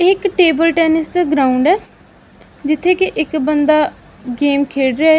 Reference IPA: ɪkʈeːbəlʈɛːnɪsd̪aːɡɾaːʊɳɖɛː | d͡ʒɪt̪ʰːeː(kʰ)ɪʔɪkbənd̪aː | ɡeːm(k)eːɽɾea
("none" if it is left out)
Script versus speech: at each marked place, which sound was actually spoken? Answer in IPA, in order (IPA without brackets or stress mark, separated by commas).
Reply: k, kʰ